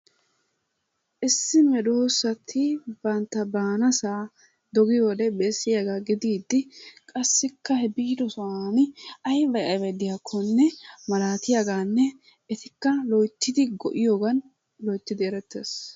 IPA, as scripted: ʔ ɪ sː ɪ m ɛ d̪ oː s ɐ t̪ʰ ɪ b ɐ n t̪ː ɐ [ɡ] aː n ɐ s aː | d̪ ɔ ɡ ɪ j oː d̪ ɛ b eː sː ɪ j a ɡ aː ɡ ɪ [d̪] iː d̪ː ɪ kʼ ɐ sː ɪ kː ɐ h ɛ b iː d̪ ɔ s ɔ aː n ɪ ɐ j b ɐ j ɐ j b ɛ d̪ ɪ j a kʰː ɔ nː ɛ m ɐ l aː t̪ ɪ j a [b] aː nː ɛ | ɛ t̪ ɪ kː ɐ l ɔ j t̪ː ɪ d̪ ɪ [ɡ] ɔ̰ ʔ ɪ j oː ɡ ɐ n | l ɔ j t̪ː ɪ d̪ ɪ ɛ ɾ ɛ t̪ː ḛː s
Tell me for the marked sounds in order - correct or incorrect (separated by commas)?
incorrect, correct, incorrect, correct